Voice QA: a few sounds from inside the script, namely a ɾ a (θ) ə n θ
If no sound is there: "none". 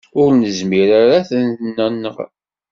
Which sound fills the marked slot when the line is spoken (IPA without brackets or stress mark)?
θ